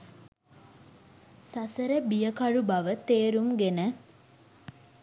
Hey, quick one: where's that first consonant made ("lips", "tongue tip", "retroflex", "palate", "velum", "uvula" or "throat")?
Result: tongue tip